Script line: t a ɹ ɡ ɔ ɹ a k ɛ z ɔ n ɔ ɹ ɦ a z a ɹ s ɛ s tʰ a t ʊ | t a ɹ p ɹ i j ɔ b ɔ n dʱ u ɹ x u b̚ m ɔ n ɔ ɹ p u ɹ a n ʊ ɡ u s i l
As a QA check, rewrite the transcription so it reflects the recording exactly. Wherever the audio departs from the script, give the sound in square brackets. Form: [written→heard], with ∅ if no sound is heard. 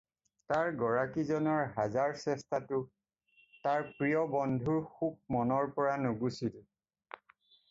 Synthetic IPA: t a ɹ ɡ ɔ ɹ a k [ɛ→i] z ɔ n ɔ ɹ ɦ a z a ɹ s ɛ s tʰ a t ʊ | t a ɹ p ɹ i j ɔ b ɔ n dʱ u ɹ x u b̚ m ɔ n ɔ ɹ p [u→ɔ] ɹ a n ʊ ɡ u s i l